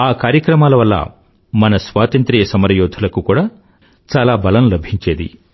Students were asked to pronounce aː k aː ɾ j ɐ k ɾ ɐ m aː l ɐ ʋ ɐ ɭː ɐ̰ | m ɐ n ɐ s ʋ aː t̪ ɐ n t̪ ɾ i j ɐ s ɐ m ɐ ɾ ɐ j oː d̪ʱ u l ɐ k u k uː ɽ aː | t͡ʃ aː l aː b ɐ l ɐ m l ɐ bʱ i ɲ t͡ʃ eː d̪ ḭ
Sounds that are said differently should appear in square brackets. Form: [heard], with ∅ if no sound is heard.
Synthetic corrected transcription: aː k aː ɾ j ɐ k ɾ ɐ m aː l ɐ ʋ ɐ [lː] ɐ̰ | m ɐ n ɐ s ʋ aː t̪ ɐ n t̪ ɾ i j ɐ s ɐ m ɐ ɾ ɐ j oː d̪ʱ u l ɐ k u k uː ɽ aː | t͡ʃ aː l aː b ɐ l ɐ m l ɐ bʱ i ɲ t͡ʃ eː d̪ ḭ